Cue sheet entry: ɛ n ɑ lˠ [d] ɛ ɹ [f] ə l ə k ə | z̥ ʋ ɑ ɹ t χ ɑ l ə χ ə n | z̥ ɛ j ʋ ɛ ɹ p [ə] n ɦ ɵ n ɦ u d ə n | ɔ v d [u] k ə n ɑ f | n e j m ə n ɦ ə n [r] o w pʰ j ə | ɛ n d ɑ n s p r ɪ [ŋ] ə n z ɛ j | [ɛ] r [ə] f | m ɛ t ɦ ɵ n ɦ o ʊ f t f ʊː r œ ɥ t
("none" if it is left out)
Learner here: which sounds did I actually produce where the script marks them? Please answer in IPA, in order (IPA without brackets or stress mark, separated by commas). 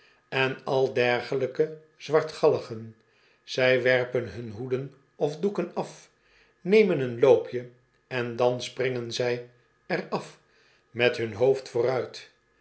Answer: d, χ, ə, u, l, ŋ, ɛ, ɑ